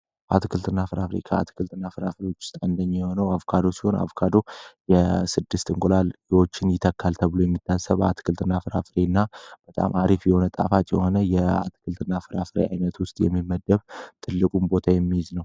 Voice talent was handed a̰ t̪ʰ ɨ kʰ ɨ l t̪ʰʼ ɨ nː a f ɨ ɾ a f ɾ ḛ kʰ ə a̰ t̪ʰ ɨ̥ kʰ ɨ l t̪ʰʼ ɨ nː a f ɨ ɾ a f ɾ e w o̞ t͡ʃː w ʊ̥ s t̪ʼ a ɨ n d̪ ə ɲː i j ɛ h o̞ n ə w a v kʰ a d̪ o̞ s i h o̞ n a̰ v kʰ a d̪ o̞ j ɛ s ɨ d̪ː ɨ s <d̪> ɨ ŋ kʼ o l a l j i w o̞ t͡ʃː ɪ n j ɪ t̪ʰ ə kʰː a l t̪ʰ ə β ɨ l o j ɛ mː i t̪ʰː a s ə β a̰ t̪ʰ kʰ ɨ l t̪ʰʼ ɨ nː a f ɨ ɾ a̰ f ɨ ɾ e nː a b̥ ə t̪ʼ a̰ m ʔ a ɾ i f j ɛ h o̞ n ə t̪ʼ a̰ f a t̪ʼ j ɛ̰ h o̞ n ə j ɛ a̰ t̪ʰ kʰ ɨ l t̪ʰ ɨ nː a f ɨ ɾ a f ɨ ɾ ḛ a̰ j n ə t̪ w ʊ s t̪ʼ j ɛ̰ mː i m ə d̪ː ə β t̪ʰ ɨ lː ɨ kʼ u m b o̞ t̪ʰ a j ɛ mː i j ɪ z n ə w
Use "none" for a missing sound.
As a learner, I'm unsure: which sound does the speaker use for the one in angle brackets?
t̪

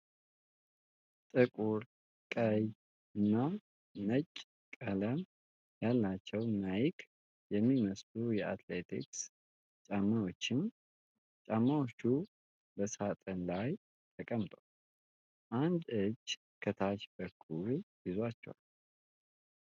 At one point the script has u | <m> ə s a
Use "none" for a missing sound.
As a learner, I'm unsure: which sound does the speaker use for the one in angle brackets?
b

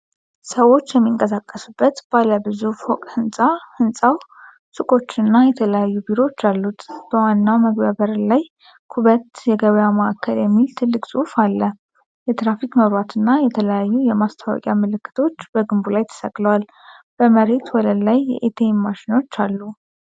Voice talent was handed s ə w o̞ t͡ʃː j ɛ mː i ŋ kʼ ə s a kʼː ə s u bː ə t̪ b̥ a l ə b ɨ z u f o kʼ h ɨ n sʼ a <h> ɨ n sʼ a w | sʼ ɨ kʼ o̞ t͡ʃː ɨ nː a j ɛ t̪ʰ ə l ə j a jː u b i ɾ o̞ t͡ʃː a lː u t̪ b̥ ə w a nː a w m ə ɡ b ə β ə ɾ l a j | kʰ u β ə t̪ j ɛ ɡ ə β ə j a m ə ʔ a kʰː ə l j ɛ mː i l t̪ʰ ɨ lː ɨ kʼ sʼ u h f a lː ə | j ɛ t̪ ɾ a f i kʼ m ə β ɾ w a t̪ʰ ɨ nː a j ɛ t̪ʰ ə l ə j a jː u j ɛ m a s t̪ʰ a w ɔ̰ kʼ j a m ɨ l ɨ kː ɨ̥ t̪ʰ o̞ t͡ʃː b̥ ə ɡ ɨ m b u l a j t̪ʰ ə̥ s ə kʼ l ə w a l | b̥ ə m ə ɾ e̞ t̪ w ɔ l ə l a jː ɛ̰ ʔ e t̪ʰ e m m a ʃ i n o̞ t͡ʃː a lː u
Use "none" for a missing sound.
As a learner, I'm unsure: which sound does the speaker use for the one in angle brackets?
h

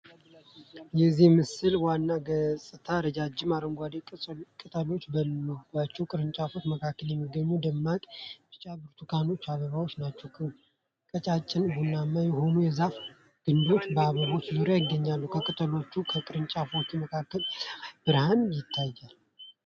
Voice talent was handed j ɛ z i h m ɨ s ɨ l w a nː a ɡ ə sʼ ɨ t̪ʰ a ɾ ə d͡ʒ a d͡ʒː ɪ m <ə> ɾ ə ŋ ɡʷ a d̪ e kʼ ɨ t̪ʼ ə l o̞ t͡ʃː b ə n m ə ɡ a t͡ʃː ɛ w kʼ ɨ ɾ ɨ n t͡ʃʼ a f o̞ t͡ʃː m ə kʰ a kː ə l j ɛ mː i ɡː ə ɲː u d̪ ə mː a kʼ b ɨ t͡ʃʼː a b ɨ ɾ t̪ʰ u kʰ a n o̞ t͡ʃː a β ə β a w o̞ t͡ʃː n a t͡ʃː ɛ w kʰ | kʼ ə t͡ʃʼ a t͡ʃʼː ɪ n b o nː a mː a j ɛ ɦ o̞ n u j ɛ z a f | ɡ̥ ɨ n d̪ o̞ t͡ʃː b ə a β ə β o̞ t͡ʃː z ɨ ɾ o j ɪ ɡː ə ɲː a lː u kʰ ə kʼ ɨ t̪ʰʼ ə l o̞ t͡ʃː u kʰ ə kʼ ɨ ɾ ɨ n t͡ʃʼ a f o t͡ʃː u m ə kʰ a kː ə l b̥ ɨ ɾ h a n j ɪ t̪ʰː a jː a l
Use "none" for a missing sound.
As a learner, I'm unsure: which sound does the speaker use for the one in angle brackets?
a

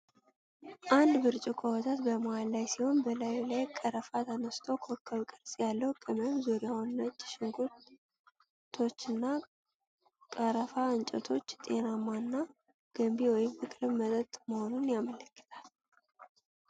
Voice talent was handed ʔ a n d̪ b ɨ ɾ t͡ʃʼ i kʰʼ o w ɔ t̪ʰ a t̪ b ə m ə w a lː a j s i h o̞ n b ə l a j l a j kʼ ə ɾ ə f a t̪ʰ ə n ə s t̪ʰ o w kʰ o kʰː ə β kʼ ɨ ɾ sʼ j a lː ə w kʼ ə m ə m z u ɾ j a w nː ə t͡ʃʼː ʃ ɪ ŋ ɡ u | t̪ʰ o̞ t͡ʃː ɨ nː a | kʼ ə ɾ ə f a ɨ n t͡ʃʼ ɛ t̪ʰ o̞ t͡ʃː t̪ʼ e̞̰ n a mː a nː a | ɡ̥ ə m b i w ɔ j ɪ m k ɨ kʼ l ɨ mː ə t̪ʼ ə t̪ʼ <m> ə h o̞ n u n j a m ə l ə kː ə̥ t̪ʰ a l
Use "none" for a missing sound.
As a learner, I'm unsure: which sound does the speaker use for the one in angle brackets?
m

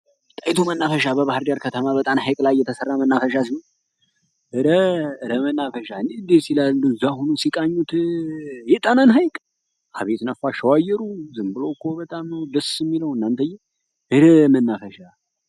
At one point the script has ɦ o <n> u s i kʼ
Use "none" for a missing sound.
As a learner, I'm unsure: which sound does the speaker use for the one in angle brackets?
n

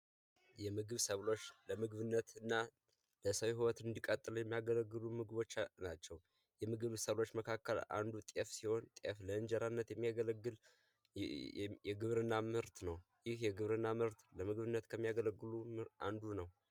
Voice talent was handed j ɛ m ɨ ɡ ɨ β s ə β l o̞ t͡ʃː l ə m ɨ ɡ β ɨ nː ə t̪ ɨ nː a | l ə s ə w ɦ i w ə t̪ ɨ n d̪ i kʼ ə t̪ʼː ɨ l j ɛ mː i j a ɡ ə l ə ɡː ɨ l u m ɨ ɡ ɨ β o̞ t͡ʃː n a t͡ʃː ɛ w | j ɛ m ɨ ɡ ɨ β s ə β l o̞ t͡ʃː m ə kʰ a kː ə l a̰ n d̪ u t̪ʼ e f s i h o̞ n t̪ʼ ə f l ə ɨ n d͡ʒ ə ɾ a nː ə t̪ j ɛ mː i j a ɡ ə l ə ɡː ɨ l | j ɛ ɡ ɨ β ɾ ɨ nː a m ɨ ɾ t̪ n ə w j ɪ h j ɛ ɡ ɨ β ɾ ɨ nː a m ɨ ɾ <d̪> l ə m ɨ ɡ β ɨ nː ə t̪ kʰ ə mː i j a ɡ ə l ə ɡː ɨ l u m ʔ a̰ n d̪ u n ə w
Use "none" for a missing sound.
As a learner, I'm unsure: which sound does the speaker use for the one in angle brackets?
t̪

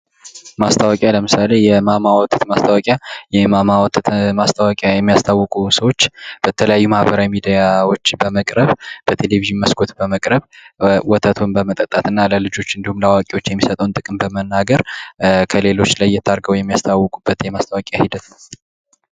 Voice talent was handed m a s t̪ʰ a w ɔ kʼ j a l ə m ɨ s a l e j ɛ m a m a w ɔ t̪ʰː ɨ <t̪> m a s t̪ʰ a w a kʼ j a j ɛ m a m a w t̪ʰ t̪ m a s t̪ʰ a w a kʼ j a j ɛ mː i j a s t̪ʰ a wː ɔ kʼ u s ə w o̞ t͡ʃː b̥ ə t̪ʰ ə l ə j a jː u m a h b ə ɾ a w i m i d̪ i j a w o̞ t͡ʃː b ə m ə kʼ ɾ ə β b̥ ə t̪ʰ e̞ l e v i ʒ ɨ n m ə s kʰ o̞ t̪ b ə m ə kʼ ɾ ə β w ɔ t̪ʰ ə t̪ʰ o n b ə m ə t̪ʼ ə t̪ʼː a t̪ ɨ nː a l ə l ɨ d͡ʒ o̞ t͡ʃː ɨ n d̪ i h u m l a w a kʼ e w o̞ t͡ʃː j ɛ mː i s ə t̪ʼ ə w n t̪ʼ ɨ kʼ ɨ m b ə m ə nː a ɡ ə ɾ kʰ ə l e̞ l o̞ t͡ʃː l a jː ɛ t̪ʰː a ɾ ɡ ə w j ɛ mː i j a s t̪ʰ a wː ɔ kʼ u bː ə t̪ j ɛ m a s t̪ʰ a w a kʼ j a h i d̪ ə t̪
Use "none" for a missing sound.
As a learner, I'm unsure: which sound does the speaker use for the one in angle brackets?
t̪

